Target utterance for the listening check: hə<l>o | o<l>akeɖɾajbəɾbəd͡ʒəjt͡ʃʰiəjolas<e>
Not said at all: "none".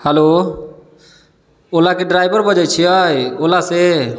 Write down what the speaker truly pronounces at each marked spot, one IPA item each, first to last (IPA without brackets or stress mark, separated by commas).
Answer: l, l, e